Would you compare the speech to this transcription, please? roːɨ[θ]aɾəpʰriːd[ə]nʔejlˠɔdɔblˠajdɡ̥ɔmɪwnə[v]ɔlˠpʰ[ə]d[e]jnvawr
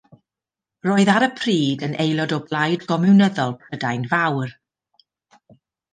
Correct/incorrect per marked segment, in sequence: incorrect: ð, correct, incorrect: ð, correct, incorrect: a

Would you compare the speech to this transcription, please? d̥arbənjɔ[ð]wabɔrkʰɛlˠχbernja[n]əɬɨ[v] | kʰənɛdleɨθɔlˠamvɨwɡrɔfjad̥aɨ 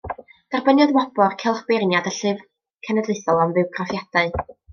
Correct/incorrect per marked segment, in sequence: correct, incorrect: d, correct

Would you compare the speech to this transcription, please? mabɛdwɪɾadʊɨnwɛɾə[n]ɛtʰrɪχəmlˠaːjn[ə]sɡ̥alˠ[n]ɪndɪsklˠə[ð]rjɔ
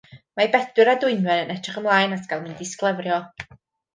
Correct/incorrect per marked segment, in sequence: correct, incorrect: a, incorrect: m, incorrect: v

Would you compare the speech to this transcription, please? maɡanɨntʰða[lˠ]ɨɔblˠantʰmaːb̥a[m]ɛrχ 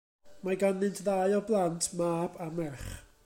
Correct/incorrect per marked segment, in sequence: incorrect: none, correct

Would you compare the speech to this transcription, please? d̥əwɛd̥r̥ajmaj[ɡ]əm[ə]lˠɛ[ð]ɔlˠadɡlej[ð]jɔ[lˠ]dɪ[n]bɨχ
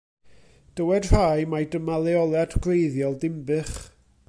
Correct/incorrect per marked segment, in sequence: incorrect: d, incorrect: a, incorrect: none, correct, correct, incorrect: m

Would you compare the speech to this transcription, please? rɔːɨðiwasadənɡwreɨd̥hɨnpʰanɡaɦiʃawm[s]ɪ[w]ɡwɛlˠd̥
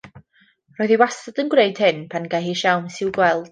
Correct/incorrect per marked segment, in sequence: correct, correct

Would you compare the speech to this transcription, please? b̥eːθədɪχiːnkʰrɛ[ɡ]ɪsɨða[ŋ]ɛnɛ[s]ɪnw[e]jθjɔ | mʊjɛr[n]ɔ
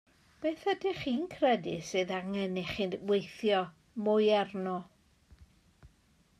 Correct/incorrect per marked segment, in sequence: incorrect: d, correct, incorrect: χ, correct, correct

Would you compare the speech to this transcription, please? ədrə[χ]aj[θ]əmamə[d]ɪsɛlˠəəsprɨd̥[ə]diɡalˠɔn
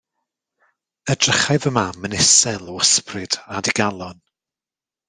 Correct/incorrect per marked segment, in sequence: correct, incorrect: ð, incorrect: n, incorrect: a

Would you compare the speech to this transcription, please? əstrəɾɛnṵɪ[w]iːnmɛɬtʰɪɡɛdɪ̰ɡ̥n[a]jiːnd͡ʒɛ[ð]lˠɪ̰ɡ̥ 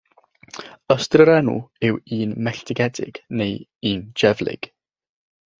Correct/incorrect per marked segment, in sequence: correct, incorrect: e, incorrect: v

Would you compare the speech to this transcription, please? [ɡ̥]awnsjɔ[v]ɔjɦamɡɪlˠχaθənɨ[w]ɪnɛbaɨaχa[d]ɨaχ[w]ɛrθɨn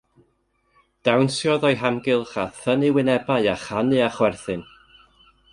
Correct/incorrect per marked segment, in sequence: incorrect: d̥, incorrect: ð, correct, incorrect: n, correct

